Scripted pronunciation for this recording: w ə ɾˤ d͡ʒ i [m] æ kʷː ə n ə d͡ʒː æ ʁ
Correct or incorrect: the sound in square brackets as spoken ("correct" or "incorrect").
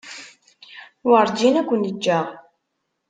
incorrect